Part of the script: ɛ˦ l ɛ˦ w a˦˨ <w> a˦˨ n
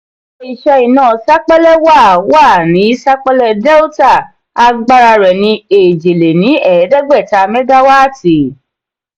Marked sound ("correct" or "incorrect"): correct